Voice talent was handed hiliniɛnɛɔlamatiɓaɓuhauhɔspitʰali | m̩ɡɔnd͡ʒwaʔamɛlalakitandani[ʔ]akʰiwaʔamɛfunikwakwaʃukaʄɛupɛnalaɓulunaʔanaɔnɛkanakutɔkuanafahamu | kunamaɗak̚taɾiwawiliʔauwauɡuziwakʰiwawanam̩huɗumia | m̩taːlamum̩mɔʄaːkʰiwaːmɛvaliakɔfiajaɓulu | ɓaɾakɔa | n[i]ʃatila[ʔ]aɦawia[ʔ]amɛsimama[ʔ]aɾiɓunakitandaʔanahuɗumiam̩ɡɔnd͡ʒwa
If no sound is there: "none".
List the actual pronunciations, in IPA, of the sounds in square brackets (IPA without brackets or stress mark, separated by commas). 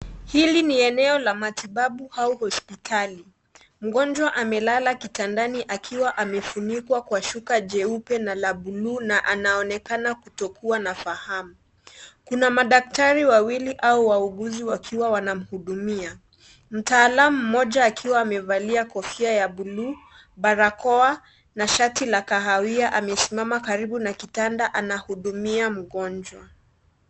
ʔ, a, k, ʔ, k